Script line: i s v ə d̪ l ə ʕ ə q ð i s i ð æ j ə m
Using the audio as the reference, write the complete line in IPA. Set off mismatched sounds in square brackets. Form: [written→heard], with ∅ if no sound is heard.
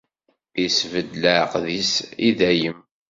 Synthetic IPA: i s v ə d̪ l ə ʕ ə q ð i s i ð æ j ə m